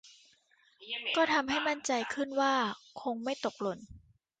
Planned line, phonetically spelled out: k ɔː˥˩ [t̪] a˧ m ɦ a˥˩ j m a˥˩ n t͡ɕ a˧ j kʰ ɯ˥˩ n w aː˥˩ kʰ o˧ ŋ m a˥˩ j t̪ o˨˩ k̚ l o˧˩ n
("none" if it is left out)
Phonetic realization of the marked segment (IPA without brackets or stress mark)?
t̪ʰ